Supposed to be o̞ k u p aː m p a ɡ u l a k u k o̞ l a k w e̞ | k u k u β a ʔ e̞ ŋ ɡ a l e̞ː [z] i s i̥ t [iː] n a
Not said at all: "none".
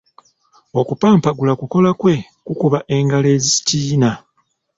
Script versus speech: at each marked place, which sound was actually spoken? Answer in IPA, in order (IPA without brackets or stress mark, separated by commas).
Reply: z, iː